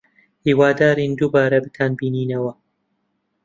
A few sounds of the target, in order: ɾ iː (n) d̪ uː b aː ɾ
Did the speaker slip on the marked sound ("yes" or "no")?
no